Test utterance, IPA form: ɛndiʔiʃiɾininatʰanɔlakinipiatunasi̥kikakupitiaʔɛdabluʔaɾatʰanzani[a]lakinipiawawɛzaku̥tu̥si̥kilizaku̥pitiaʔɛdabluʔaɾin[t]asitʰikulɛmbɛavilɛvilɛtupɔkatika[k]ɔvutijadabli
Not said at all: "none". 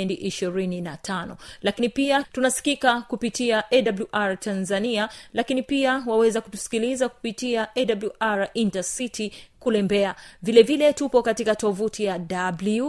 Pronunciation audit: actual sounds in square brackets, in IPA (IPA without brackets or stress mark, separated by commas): a, t, t